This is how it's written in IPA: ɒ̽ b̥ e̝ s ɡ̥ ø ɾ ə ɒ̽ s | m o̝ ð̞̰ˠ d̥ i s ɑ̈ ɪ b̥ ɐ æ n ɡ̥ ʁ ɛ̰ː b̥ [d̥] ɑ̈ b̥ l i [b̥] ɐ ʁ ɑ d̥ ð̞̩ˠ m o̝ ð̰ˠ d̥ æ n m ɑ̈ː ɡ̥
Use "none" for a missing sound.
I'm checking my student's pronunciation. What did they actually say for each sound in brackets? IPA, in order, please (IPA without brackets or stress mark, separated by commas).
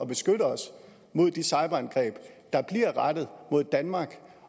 d̥, none